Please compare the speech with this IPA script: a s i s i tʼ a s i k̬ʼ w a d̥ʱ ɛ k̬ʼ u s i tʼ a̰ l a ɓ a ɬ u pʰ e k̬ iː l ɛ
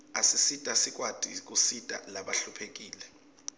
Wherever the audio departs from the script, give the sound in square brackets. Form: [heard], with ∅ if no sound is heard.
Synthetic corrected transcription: a s i s i tʼ a s i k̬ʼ w a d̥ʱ [i] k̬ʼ u s i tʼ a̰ l a ɓ a ɬ u pʰ e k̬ iː l ɛ